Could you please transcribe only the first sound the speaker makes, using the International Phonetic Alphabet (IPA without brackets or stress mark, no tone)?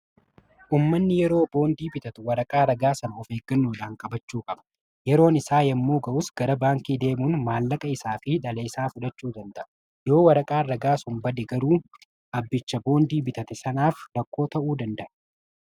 ʔ